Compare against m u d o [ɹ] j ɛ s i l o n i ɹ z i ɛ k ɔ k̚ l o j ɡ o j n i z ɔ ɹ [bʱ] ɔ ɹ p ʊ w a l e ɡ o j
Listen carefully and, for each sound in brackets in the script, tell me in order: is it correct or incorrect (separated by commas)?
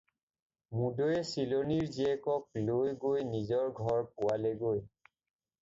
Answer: incorrect, incorrect